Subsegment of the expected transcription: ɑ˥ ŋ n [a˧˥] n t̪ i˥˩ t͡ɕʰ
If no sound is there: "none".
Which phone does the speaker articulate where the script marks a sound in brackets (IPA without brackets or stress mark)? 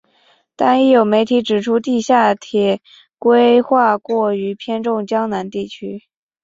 a˧˥